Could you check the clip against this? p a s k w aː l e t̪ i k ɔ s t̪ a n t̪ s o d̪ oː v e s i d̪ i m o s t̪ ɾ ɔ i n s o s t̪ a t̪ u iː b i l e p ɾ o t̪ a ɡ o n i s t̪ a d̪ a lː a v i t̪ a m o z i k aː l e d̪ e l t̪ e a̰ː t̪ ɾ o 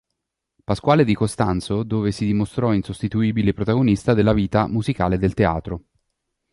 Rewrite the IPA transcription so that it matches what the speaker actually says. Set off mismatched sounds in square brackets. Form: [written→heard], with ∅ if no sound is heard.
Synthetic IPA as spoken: p a s k w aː l e [t̪→d̪] i k [ɔ→o] s t̪ a n t̪ s o d̪ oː v e s i d̪ i m o s t̪ ɾ ɔ i n s o s t̪ [a→i] t̪ u iː b i l e p ɾ o t̪ a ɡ o n i s t̪ a d̪ [a→e] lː a v [i→iː] t̪ a m [o→u] z i k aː l e d̪ e l t̪ e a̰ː t̪ ɾ o

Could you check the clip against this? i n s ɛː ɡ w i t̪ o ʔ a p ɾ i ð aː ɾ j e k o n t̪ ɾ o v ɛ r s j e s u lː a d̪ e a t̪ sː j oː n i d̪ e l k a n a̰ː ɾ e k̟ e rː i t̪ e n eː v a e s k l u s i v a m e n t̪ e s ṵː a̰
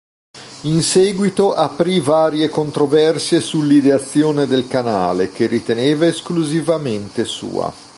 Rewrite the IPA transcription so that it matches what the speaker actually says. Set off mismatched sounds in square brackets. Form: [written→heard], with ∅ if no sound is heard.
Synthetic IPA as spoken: i n s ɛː ɡ w i t̪ o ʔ a p ɾ i [ð→v] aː ɾ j e k o n t̪ ɾ o v ɛ r s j e s u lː [a→i] d̪ e a t̪ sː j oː n [i→e] d̪ e l k a n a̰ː [ɾ→l] e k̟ e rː i t̪ e n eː v a e s k l u [s→z] i v a m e n t̪ e s ṵː a̰

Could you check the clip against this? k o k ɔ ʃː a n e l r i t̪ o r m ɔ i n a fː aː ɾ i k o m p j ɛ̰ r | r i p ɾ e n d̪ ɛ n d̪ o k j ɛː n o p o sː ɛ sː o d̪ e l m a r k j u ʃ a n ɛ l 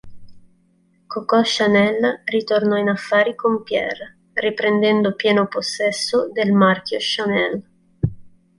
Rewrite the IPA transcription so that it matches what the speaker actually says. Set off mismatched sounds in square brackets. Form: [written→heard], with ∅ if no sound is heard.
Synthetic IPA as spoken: k o k ɔ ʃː a n [e→ɛ] l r i t̪ o r [m→n] ɔ i n a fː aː ɾ i k o m p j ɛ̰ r | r i p ɾ e n d̪ ɛ n d̪ o [k→p] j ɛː n o p o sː ɛ sː o d̪ e l m a r k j [u→o] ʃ a n ɛ l

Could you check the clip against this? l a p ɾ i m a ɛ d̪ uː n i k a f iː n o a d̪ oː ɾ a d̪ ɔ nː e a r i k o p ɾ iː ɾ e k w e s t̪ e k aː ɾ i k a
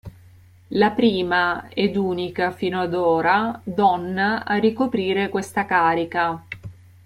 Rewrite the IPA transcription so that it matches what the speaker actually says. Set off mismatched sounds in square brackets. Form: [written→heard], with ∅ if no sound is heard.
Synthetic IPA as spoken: l a p ɾ [i→iː] m a ɛ d̪ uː n i k a f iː n o a d̪ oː ɾ a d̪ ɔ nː [e→a] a r i k o p ɾ iː ɾ e k w e s t̪ [e→a] k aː ɾ i k a

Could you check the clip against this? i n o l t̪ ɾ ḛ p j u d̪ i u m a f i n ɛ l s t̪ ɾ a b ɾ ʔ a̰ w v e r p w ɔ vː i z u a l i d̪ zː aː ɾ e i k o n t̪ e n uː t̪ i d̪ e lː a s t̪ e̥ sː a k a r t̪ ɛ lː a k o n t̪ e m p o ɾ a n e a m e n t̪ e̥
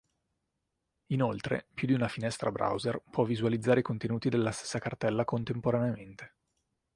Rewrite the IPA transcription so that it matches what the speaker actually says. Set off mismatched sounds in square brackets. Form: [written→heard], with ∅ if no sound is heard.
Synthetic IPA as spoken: i n o l t̪ ɾ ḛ p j u d̪ i u [m→n] a f i n ɛ [l→∅] s t̪ ɾ a b ɾ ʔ a̰ w [v→z] e r p w ɔ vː i z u a l i d̪ zː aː ɾ e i k o n t̪ e n uː t̪ i d̪ e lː a s t̪ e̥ sː a k a r t̪ ɛ lː a k o n t̪ e m p o ɾ a n e a m e n t̪ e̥

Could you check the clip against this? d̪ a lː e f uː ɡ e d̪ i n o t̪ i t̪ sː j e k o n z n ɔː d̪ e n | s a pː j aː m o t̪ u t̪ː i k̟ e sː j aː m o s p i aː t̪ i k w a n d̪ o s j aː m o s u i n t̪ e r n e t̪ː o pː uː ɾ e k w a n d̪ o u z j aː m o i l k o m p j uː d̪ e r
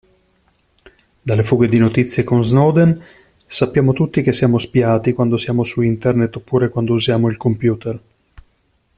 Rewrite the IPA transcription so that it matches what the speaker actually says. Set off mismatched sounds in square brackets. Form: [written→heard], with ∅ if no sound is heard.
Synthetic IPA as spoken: d̪ a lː e f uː ɡ e d̪ i n o t̪ i t̪ sː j e k o n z n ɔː d̪ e n | s a pː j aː m o t̪ u t̪ː i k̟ e sː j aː m o s p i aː t̪ i k w a n d̪ o s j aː m o s u i n t̪ e r n e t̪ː o pː uː ɾ e k w a n d̪ o u z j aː m o i l k o m p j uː [d̪→t̪] e r

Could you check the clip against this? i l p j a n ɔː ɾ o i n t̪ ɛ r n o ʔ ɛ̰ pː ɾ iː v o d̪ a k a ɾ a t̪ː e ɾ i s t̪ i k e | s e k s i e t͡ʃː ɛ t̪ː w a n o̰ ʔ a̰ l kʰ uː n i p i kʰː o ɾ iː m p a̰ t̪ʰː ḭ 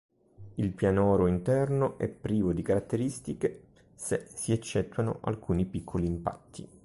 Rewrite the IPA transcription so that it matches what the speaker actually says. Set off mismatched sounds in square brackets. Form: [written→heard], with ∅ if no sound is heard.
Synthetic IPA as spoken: i l p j a n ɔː ɾ o i n t̪ ɛ r n o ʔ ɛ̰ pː ɾ iː v o d̪ [a→i] k a ɾ a t̪ː e ɾ i s t̪ i k e | s e [k→∅] s i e t͡ʃː ɛ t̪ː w a n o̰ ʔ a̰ l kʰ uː n i p i kʰː o [ɾ→l] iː m p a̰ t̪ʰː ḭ

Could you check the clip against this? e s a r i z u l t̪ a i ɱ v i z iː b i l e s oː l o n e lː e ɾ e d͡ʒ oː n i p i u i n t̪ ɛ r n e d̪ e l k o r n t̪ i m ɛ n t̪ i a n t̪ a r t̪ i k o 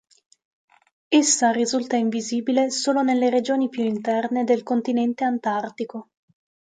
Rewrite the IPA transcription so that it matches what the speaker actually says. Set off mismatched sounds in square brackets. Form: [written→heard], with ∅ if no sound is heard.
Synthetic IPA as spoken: e [s→sː] a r i z u l t̪ a i ɱ v i z iː b i l e s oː l o n e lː e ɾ e d͡ʒ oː n i p [i→j] u i n t̪ ɛ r n e d̪ e l k o [r→∅] n t̪ i [m→n] ɛ n t̪ [i→e] a n t̪ a r t̪ i k o

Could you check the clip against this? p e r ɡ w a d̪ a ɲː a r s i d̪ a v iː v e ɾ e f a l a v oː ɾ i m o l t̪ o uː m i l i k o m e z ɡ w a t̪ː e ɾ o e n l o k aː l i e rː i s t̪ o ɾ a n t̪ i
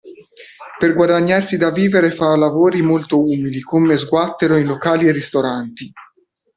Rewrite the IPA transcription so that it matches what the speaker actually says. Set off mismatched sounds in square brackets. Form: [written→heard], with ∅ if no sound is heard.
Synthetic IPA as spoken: p e r ɡ w a d̪ a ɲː a r s i d̪ a v iː v e ɾ e f a l a v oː ɾ i m o l t̪ o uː m i l i k o m e z ɡ w a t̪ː e ɾ o [e→i] n l o k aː l i e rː i s t̪ o ɾ a n t̪ i

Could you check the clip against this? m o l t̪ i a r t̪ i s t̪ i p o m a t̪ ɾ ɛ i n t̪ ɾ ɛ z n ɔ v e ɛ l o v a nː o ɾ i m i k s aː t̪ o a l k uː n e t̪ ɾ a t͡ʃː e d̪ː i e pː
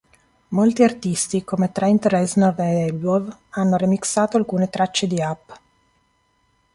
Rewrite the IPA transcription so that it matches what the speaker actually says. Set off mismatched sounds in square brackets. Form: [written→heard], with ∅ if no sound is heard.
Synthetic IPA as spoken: m o l t̪ i a r t̪ i s t̪ i [p→k] o m [a→e] t̪ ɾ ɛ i n t̪ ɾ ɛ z n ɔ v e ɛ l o v a nː o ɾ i m i k s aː t̪ o a l k uː n e t̪ ɾ a t͡ʃː e [d̪ː→d̪] i [e→a] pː

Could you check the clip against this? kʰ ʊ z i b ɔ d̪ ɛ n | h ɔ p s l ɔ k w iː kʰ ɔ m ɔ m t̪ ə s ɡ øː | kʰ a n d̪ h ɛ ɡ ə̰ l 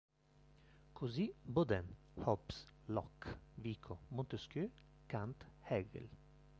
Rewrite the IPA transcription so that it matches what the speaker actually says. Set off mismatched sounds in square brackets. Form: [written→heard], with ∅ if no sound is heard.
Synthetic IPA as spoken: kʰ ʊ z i b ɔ d̪ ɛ n | h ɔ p s l ɔ k [w→ʋ] iː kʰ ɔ m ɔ [m→n] t̪ ə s [ɡ→k] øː | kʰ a n [d̪→t̪] h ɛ ɡ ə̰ l

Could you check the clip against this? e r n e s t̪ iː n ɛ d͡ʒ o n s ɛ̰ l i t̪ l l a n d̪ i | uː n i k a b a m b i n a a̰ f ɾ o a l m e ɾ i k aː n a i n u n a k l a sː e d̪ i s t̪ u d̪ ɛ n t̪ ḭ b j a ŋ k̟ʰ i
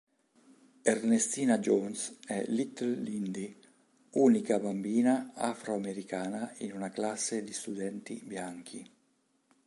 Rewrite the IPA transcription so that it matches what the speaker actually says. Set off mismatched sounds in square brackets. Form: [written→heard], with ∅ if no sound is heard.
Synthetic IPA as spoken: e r n e s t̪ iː n [ɛ→a] d͡ʒ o n s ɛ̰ l i t̪ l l [a→i] n d̪ i | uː n i k a b a m b [i→iː] n a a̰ f ɾ o a [l→∅] m e ɾ i k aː n a i n u n a k l a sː e d̪ i s t̪ u d̪ ɛ n t̪ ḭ b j a ŋ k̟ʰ i

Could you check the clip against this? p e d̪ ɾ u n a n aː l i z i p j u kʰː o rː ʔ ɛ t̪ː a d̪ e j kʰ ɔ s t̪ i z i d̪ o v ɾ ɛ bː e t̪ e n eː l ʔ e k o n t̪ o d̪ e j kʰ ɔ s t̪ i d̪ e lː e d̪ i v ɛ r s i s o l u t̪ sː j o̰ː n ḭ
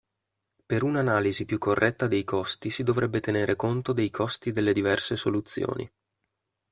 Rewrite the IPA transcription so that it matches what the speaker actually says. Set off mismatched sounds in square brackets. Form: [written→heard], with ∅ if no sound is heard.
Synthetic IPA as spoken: p e [d̪→∅] ɾ u n a n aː l i z i p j u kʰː o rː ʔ ɛ t̪ː a d̪ e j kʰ ɔ s t̪ i [z→s] i d̪ o v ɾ ɛ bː e t̪ e n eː [l→ɾ] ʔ e k o n t̪ o d̪ e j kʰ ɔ s t̪ i d̪ e lː e d̪ i v ɛ r s [i→e] s o l u t̪ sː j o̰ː n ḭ

